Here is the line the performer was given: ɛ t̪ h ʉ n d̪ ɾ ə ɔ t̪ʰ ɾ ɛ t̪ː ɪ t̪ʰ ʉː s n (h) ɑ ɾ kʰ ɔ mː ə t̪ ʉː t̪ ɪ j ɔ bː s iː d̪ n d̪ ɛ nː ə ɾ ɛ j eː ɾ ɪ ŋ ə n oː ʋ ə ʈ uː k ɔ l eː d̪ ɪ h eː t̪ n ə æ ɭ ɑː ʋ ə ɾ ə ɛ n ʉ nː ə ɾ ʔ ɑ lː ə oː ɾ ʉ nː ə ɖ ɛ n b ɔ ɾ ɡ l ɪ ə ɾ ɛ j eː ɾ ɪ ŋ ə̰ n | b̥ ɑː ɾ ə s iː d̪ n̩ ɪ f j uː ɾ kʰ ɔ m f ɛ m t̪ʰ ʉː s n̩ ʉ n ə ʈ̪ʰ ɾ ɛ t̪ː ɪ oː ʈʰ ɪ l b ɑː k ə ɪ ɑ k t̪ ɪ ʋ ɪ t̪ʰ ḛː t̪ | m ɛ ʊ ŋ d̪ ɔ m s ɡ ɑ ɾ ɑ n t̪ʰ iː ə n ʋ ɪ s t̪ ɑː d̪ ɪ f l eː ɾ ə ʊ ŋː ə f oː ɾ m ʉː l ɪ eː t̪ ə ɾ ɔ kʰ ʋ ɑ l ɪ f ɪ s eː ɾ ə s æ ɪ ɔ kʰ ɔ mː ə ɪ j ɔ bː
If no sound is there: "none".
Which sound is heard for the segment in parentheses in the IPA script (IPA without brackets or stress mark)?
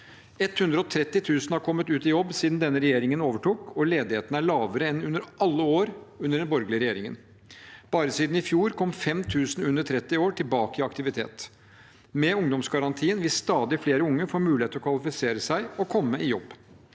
h